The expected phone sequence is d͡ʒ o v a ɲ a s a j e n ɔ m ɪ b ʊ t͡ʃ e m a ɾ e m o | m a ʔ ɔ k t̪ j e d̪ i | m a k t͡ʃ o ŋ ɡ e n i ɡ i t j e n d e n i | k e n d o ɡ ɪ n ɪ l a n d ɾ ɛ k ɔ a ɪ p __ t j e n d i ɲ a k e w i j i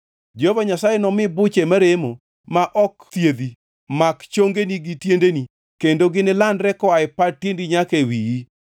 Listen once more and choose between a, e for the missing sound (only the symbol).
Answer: a